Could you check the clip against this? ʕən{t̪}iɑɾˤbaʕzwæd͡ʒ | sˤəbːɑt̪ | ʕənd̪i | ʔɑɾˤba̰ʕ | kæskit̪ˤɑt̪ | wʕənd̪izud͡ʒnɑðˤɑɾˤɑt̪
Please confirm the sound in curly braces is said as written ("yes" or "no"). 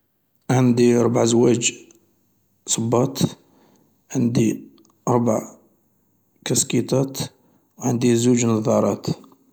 no